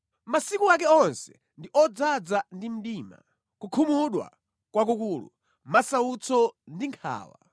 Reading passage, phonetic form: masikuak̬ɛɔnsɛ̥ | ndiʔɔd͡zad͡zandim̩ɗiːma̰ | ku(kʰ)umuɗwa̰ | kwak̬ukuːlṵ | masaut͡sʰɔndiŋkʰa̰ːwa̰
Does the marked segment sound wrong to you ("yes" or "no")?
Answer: no